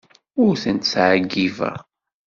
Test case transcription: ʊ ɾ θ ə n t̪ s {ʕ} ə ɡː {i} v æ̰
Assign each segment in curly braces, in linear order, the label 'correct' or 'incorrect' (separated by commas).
correct, correct